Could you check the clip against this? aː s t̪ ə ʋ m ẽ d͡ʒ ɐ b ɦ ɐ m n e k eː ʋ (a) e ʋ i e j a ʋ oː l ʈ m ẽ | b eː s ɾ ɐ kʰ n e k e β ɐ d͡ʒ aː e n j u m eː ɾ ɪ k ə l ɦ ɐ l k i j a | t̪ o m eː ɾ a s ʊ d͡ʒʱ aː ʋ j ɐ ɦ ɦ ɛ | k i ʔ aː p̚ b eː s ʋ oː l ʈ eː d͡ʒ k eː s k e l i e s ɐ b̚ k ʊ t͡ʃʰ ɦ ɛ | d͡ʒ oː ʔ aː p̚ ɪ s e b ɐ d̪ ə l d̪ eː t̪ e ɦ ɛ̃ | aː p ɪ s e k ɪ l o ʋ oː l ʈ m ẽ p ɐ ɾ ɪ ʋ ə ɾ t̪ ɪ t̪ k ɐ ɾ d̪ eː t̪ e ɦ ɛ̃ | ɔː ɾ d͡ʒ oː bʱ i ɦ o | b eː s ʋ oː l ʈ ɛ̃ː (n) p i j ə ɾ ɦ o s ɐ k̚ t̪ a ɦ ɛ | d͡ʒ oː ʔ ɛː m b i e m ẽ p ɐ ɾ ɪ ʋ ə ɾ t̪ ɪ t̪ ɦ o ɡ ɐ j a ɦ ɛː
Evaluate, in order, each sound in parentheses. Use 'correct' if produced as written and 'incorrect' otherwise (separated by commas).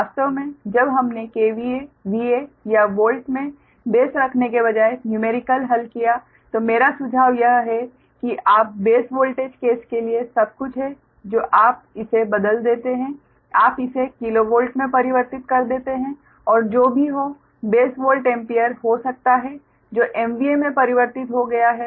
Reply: incorrect, incorrect